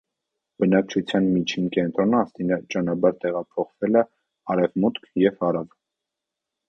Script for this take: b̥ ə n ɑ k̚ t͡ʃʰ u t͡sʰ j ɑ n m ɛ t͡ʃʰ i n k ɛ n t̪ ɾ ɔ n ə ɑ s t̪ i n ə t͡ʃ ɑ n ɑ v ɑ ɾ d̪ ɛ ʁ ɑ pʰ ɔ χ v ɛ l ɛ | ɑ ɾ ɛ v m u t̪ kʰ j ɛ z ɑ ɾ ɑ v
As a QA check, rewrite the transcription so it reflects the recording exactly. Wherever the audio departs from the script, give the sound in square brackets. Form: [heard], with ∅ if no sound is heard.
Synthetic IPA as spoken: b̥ ə n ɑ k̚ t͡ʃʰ u t͡sʰ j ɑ n m [i] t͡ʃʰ i n k ɛ n t̪ ɾ ɔ n ə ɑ s t̪ i n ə t͡ʃ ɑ n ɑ [b] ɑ ɾ [t̪] ɛ ʁ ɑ pʰ ɔ χ v ɛ l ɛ | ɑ ɾ ɛ v m u t̪ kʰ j ɛ [v] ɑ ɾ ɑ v